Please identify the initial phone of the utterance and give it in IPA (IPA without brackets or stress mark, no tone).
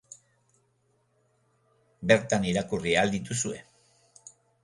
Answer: b